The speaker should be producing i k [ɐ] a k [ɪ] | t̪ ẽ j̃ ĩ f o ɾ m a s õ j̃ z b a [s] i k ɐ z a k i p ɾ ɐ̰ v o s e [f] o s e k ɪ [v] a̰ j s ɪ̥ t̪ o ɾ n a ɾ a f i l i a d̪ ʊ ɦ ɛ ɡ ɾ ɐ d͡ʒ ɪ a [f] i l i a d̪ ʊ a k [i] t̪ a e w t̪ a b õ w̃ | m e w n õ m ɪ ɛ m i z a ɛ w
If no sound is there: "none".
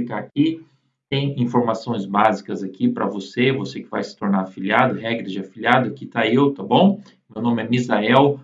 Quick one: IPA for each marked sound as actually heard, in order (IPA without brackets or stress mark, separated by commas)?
a, i, z, v, v, f, i